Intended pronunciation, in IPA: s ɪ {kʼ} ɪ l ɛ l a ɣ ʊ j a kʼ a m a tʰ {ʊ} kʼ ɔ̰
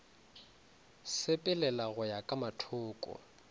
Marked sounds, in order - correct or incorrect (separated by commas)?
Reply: incorrect, incorrect